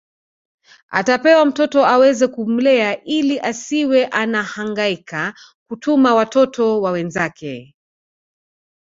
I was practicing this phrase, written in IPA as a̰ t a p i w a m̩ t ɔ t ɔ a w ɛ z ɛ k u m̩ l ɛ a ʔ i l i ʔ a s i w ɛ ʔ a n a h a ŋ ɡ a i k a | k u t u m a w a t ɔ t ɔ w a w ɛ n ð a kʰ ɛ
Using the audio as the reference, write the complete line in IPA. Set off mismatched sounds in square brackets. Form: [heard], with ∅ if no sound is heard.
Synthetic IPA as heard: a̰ t a p [ɛ] w a m̩ t ɔ t ɔ a w ɛ z ɛ k u m̩ l ɛ a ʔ i l i ʔ a s i w ɛ ʔ a n a h a ŋ ɡ a i k a | k u t u m a w a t ɔ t ɔ w a w ɛ n [z] a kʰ ɛ